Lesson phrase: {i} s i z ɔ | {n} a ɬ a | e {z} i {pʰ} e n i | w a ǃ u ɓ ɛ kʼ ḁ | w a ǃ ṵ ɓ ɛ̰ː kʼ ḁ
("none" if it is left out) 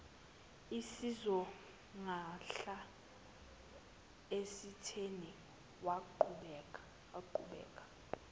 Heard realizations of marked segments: i, ŋ, s, tʰ

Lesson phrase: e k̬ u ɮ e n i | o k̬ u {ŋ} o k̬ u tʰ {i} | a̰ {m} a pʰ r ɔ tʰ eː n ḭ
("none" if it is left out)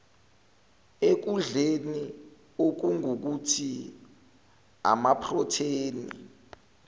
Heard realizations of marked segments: ŋ, i, m

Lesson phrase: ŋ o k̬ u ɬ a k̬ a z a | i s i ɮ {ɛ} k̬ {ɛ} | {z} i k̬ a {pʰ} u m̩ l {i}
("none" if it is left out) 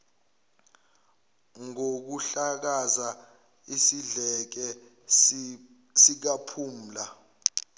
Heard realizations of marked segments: ɛ, ɛ, s, pʰ, a

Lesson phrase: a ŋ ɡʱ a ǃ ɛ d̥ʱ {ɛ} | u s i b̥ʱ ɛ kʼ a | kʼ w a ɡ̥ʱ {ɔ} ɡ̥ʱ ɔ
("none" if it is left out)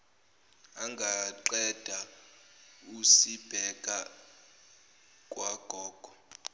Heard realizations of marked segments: a, ɔː

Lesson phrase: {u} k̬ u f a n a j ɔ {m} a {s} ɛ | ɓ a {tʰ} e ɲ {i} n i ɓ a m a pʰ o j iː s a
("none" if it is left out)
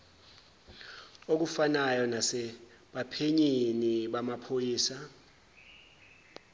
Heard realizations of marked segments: o, n, s, pʰ, i

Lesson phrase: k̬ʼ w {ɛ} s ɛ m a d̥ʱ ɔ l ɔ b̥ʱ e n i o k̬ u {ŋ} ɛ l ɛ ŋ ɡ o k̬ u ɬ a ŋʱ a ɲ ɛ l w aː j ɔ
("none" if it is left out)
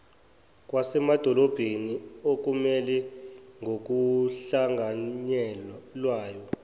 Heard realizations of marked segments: a, m

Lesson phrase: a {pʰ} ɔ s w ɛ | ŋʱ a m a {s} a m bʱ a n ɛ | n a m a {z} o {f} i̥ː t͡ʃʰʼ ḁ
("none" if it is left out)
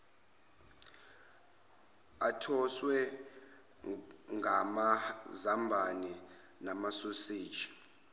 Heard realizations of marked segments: tʰ, z, s, s

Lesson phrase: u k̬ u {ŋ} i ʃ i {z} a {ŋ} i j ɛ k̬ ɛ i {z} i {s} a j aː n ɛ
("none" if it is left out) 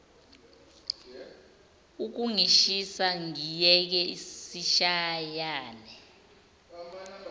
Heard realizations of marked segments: ŋ, s, ŋ, s, ʃ

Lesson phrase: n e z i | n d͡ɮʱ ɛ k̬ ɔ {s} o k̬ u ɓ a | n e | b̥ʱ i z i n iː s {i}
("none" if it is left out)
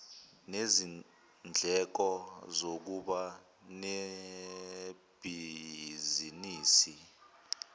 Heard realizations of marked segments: z, i

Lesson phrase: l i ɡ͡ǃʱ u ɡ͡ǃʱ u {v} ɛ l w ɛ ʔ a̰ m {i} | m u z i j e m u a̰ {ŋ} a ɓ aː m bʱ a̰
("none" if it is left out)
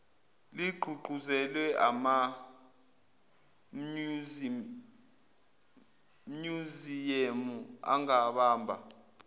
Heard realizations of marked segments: z, a, ŋ

